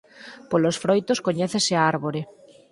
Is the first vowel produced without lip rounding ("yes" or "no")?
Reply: no